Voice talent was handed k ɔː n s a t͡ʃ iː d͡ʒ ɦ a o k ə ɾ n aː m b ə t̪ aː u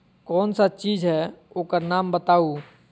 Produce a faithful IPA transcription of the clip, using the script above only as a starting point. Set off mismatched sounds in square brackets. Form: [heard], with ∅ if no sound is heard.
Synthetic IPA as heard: k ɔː n s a t͡ʃ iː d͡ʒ ɦ [ɛ] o k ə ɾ n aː m b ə t̪ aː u